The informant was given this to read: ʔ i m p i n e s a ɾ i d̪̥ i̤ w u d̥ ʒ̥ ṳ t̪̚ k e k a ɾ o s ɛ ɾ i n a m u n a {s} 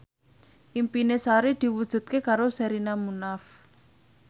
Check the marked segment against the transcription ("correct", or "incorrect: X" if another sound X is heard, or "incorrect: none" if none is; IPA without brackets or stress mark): incorrect: f